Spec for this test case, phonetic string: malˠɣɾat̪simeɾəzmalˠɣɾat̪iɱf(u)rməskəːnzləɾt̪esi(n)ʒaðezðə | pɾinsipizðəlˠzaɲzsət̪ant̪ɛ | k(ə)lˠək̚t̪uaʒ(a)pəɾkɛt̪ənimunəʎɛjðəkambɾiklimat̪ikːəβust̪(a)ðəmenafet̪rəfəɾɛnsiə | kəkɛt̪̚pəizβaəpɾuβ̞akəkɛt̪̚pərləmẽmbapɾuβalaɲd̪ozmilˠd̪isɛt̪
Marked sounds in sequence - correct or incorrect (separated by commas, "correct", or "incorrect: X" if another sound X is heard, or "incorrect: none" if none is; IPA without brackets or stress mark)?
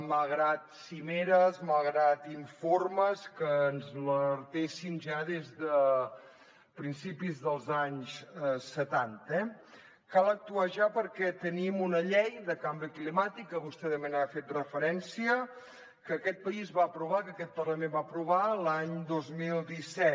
incorrect: o, correct, incorrect: a, correct, incorrect: ɛ